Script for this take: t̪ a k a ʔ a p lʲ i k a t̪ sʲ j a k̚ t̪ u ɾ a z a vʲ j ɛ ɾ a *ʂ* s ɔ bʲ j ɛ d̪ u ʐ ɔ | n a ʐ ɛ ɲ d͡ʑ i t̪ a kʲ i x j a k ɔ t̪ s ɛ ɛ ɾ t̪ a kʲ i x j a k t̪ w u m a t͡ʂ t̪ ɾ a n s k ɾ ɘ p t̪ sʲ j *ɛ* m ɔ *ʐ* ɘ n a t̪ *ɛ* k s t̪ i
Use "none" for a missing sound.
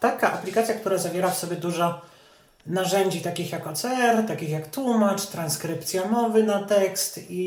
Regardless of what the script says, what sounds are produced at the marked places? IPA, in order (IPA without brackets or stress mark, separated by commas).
f, a, v, ɛ